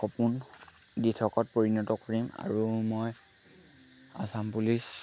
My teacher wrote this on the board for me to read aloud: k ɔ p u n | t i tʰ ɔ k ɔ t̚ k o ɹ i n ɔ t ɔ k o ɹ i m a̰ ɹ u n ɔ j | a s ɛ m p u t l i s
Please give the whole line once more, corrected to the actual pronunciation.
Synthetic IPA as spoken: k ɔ p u n | d i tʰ ɔ k ɔ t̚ p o ɹ i n ɔ t ɔ k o ɹ i m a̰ ɹ u m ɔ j | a s a m p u l i s